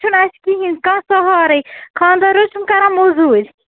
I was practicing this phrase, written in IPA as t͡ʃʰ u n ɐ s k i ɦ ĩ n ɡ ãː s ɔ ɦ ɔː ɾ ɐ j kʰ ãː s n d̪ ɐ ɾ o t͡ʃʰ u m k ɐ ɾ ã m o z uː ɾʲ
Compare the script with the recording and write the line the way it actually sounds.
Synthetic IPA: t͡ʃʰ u n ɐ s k i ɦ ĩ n k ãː s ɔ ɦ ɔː ɾ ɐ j kʰ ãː n d̪ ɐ ɾ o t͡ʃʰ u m k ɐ ɾ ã m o z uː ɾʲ